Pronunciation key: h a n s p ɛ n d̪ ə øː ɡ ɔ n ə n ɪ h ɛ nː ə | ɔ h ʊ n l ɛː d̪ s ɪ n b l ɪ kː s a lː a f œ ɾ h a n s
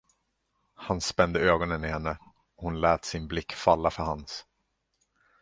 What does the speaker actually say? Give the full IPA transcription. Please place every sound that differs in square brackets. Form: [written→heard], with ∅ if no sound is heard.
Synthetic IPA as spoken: h a n s p ɛ n d̪ ə øː ɡ ɔ n ə n ɪ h ɛ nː ə | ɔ h ʊ n l ɛː [d̪→t̪] s ɪ n b l ɪ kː [s→f] a lː a f œ ɾ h a n s